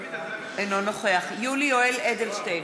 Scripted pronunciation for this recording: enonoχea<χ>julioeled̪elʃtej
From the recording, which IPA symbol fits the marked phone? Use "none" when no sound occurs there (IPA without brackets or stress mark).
χ